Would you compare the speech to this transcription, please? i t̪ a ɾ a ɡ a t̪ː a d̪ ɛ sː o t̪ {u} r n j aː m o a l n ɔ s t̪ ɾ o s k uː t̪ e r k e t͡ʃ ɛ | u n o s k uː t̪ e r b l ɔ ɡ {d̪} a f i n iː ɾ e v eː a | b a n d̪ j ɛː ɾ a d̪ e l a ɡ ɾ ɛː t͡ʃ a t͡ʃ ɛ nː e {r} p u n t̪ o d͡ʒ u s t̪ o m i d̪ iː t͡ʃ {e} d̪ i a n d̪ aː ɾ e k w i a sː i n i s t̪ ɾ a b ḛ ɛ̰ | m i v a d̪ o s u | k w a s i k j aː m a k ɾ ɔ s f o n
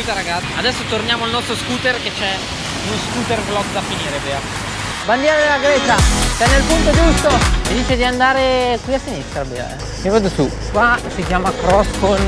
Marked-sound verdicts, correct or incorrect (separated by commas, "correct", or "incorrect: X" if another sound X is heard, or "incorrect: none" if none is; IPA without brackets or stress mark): incorrect: o, correct, incorrect: l, correct